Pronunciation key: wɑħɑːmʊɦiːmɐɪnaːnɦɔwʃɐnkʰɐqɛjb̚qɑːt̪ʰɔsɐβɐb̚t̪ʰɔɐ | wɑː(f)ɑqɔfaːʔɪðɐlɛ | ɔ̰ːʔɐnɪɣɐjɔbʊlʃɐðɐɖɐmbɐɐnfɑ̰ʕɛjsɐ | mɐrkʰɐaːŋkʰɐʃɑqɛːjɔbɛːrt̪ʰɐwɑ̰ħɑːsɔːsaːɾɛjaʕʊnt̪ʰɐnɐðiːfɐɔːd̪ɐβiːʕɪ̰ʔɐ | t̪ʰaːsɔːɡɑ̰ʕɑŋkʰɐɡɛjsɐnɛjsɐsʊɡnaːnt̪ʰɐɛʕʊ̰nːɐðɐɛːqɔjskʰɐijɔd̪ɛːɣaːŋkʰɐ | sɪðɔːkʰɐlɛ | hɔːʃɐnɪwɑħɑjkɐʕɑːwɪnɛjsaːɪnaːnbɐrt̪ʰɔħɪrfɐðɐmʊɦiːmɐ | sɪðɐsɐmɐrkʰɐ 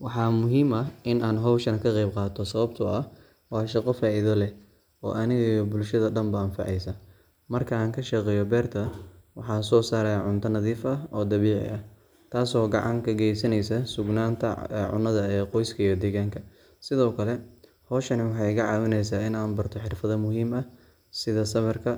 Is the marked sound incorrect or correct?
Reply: incorrect